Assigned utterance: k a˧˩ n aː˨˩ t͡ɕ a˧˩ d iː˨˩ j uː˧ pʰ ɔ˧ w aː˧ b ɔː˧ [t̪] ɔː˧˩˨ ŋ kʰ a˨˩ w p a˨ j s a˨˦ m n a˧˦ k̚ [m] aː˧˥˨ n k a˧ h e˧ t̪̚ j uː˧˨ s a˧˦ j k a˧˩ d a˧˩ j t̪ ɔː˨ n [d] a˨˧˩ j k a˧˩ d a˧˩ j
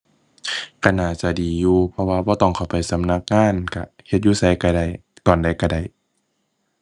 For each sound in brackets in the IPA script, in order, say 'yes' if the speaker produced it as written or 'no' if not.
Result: yes, no, yes

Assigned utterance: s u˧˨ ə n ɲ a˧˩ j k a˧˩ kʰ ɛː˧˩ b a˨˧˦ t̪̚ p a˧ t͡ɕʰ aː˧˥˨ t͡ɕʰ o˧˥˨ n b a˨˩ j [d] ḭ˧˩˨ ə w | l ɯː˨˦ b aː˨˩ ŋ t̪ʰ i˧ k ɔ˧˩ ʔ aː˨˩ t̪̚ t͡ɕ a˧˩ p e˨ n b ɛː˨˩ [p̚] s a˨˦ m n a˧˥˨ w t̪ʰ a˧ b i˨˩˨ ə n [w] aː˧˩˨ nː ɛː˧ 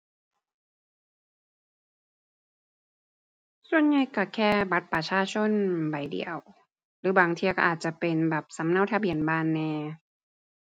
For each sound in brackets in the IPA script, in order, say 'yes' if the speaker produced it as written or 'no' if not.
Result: yes, yes, no

